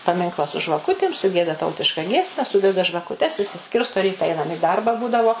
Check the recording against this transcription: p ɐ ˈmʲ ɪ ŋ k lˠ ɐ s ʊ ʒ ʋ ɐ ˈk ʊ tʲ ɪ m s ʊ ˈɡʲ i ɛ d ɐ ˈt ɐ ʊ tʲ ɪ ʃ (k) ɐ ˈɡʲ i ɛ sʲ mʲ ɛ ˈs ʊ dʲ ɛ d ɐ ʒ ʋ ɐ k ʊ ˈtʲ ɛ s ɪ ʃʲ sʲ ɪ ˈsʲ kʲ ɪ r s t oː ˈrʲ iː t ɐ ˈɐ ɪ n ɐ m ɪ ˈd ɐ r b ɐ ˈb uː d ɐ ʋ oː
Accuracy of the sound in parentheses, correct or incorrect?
correct